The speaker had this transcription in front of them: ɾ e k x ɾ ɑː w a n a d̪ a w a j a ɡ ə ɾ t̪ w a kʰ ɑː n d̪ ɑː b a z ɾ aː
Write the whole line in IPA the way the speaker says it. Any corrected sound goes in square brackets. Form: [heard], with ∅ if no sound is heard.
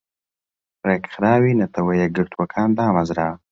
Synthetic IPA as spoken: ɾ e k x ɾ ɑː w [i] n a [t̪] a w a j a ɡ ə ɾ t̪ w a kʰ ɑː n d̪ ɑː [m] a z ɾ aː